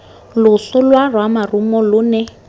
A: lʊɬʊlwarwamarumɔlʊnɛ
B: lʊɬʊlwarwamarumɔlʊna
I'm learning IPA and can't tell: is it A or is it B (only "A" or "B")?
A